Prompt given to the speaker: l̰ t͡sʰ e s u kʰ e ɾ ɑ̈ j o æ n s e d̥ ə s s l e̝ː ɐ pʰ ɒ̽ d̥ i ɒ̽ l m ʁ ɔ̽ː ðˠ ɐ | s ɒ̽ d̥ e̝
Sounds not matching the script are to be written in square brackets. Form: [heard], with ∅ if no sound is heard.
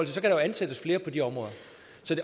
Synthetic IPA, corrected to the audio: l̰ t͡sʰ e s [ɒ] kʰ [æ] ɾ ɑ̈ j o æ n s e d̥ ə s [f] l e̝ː ɐ pʰ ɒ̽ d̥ i ɒ̽ [∅] m ʁ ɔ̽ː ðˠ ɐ | s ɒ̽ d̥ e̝